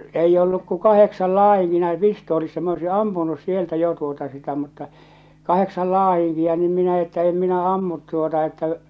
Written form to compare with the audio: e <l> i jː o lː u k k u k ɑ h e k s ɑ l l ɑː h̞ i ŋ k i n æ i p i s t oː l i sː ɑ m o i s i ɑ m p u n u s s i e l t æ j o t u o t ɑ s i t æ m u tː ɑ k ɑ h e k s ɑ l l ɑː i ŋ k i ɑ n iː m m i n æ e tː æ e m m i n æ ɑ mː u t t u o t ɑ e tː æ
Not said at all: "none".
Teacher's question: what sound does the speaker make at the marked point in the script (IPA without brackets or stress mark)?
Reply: none